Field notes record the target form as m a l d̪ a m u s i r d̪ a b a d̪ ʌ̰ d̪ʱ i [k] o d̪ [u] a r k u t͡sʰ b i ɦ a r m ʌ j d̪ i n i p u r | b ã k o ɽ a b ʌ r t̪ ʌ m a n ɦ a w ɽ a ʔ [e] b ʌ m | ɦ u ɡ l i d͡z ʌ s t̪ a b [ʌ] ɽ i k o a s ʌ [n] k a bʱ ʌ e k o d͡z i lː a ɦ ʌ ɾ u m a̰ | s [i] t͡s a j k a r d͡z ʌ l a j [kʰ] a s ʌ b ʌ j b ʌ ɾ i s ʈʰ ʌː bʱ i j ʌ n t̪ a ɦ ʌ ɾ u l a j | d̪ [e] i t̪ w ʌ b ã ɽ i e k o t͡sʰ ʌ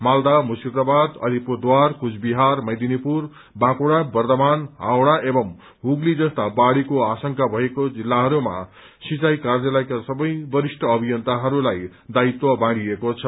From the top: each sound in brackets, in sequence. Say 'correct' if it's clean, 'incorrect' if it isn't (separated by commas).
incorrect, incorrect, correct, incorrect, incorrect, correct, incorrect, incorrect